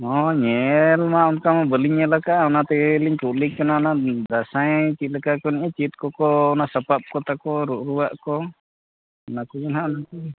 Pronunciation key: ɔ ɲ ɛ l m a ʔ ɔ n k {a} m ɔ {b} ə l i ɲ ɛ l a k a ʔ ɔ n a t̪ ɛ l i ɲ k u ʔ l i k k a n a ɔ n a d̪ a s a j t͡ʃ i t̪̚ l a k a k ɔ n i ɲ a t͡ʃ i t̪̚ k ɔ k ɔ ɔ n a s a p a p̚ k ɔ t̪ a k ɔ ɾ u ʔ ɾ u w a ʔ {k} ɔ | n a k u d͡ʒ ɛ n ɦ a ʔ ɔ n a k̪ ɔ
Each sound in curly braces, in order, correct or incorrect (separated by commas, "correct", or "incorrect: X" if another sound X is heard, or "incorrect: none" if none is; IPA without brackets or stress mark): correct, correct, correct